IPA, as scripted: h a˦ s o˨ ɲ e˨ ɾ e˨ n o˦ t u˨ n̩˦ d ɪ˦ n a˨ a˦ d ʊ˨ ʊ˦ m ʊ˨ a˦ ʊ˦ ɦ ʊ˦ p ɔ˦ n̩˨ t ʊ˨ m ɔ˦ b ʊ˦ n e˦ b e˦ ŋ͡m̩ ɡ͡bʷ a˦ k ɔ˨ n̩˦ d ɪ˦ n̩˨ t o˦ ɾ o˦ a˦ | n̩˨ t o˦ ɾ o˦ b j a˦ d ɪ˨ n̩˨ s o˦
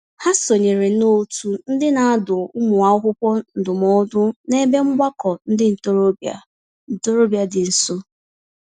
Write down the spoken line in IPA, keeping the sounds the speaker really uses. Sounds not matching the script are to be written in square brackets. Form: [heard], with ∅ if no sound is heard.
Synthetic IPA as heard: h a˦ s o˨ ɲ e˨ ɾ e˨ n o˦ t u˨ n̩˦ d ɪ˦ n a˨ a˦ d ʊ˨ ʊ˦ m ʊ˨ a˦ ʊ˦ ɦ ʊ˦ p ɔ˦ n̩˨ [d] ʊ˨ m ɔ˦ [d] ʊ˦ n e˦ b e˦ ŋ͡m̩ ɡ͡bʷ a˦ k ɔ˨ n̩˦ d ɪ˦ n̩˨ t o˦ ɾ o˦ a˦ | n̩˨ t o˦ ɾ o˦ b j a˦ d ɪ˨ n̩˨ s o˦